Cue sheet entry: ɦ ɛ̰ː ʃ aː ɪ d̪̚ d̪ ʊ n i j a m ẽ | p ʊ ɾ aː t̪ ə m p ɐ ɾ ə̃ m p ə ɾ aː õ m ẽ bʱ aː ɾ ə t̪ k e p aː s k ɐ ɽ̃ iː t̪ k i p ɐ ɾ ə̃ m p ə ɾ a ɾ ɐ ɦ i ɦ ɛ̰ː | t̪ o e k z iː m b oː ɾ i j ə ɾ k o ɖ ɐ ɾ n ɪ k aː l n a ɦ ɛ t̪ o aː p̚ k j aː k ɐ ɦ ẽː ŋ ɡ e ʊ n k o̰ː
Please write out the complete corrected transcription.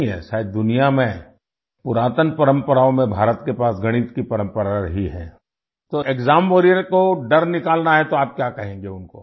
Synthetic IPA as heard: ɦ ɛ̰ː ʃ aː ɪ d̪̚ d̪ ʊ n i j a m ẽ | p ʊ ɾ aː t̪ ə n p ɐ ɾ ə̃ m p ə ɾ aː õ m ẽ bʱ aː ɾ ə t̪ k e p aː s ɡ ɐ ɽ̃ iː t̪ k i p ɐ ɾ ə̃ m p ə ɾ a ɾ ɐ ɦ i ɦ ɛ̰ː | t̪ o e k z aː m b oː ɾ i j ə ɾ k o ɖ ɐ ɾ n ɪ k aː l n a ɦ ɛ t̪ o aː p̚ k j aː k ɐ ɦ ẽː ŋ ɡ e ʊ n k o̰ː